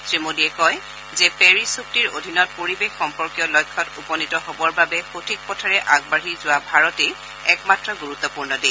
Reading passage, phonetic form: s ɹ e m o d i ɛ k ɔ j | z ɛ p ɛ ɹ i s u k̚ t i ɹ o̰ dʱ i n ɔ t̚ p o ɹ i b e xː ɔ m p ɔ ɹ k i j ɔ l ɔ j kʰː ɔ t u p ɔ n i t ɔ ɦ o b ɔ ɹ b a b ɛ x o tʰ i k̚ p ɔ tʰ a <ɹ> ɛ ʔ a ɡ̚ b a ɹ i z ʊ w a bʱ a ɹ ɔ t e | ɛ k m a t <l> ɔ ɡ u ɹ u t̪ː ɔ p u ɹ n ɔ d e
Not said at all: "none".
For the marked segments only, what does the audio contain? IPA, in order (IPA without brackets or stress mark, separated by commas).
ɹ, ɹ